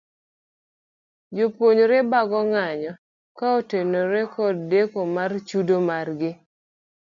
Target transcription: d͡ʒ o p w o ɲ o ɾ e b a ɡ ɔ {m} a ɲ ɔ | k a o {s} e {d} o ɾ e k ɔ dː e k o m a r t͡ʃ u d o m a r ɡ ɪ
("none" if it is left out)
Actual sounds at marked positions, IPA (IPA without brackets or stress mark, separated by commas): ŋ, t, n